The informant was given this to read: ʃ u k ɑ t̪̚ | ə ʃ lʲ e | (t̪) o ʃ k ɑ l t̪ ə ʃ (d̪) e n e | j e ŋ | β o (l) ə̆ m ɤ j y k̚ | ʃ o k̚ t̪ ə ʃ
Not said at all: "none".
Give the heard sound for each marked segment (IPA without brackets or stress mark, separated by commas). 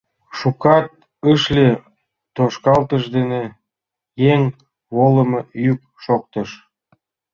t̪, d̪, l